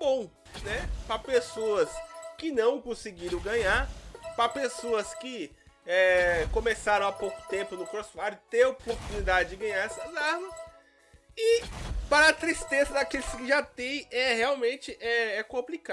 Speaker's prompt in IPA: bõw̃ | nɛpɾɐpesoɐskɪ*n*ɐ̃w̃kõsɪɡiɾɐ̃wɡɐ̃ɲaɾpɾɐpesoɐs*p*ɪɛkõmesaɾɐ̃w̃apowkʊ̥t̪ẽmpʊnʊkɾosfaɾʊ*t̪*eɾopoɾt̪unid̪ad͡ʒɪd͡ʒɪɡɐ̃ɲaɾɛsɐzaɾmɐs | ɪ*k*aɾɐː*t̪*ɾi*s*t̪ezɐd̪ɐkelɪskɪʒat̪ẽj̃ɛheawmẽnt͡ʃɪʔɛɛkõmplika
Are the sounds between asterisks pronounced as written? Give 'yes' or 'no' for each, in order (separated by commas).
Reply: yes, no, yes, no, yes, yes